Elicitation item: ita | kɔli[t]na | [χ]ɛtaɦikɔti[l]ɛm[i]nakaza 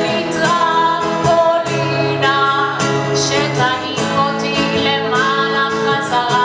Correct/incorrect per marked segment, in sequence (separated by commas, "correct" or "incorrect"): incorrect, incorrect, correct, incorrect